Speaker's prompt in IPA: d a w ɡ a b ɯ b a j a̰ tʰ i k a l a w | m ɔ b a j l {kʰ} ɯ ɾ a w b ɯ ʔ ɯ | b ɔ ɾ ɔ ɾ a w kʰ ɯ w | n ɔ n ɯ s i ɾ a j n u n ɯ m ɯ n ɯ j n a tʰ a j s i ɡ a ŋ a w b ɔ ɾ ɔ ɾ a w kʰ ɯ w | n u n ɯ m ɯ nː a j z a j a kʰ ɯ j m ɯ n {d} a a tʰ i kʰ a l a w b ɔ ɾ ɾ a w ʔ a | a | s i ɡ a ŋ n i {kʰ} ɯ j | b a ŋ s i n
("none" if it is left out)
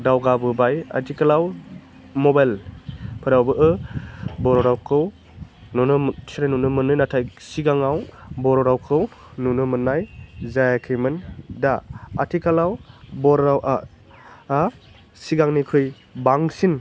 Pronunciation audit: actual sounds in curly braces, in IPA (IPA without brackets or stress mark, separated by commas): pʰ, d, kʰ